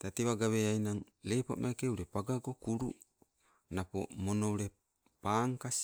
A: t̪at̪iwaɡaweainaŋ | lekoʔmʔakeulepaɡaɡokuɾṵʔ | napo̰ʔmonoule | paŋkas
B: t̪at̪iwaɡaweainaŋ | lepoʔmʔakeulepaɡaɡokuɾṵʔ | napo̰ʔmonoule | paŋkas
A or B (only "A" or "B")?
B